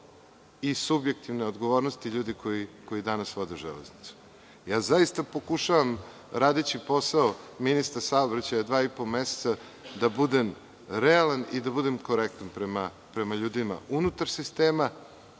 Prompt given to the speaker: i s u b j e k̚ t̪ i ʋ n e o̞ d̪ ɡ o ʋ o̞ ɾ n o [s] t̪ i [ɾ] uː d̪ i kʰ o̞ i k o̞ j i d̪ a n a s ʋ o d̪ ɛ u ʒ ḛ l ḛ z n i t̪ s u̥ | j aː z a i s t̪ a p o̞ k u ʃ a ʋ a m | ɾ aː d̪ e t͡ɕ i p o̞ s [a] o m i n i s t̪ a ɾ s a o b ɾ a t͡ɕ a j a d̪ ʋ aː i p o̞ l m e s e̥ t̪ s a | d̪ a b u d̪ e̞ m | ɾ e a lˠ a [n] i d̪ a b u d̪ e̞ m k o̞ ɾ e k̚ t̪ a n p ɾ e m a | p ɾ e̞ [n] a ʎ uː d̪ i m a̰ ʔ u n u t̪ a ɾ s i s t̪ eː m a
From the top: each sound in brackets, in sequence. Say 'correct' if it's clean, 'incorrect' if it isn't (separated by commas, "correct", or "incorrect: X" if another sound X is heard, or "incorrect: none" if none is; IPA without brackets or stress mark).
correct, incorrect: ʎ, correct, correct, incorrect: m